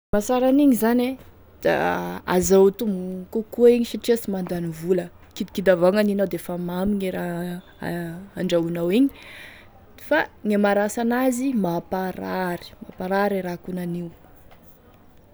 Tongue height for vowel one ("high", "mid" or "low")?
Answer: low